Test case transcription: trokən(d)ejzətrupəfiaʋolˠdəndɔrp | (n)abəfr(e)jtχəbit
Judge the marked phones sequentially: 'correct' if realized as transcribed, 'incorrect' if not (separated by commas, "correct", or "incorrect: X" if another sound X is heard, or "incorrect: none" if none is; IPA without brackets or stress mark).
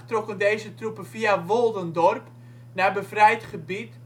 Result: correct, correct, incorrect: ɛ